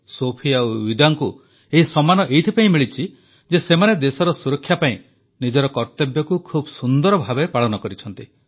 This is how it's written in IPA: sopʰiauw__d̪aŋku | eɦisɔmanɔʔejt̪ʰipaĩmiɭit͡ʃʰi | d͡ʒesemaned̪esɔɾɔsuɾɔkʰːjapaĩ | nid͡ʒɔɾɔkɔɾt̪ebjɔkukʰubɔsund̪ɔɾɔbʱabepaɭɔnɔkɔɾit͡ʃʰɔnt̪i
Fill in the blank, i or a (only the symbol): i